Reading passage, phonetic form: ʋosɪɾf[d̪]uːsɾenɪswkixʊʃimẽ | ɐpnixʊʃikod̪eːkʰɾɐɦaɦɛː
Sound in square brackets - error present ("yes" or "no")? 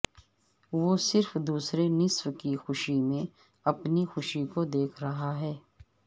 no